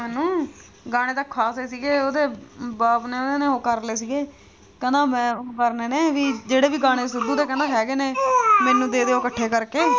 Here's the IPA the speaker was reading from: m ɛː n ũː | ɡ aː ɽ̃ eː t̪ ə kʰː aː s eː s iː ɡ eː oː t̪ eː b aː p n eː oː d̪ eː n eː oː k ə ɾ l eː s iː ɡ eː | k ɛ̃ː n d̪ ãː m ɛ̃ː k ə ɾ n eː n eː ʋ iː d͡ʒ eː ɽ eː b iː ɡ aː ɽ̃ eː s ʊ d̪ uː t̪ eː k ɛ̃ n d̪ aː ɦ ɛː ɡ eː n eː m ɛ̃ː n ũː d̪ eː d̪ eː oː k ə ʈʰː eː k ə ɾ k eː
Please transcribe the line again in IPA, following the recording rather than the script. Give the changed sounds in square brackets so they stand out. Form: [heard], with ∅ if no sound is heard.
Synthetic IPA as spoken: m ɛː n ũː | ɡ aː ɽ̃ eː t̪ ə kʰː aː s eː s iː ɡ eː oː [d̪] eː b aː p n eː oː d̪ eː n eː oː k ə ɾ l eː s iː ɡ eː | k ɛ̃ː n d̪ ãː m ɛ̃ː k ə ɾ n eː n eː ʋ iː d͡ʒ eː ɽ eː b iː ɡ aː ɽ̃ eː s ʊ d̪ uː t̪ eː k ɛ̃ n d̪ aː ɦ ɛː ɡ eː n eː m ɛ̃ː n ũː d̪ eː d̪ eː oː k ə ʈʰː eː k ə ɾ k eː